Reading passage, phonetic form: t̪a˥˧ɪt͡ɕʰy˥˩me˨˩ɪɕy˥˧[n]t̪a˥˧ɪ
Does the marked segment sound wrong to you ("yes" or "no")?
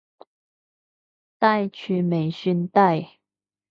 no